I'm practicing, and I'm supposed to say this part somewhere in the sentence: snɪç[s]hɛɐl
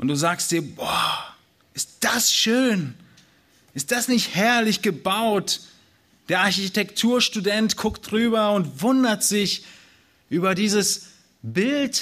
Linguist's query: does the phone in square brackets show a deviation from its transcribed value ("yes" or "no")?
yes